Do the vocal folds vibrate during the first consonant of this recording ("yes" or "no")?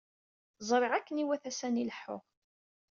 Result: yes